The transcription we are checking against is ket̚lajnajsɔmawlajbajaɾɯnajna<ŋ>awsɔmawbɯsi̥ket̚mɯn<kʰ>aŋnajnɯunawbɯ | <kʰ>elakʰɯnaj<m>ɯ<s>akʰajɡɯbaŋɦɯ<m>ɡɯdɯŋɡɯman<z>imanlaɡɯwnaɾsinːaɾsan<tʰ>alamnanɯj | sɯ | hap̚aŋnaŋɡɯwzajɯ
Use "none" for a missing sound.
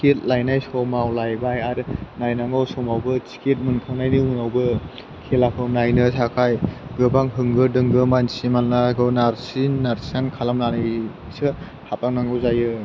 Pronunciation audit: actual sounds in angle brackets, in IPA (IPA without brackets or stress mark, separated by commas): ŋ, kʰ, kʰ, n, s, ŋ, s, kʰ